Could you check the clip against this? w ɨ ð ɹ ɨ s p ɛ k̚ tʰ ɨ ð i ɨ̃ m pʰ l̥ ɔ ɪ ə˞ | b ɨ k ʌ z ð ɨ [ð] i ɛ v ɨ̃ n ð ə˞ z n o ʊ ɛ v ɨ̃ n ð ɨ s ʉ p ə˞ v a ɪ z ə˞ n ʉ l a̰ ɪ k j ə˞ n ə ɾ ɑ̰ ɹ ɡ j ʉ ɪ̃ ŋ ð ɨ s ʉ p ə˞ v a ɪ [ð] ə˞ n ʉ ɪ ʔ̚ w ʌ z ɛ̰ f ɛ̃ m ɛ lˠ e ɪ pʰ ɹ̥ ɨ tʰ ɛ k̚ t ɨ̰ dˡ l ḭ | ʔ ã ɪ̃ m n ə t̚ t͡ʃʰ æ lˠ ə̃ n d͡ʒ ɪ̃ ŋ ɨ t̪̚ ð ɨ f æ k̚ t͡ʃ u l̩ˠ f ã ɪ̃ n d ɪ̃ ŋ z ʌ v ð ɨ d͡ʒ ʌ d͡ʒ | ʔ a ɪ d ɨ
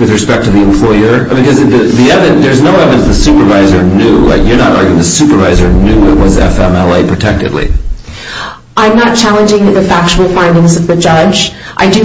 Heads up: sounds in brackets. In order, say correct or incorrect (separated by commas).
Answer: correct, incorrect